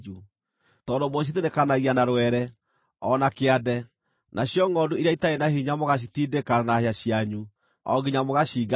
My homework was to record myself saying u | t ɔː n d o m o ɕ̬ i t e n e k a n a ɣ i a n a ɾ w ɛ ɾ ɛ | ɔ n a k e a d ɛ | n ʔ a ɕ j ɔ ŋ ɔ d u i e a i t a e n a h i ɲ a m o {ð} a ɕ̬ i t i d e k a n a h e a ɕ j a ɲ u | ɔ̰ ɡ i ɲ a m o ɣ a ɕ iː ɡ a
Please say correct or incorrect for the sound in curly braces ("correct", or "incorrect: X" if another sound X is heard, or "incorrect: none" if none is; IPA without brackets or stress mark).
incorrect: ɣ